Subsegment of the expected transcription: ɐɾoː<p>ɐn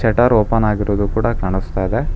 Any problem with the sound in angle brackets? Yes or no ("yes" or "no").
no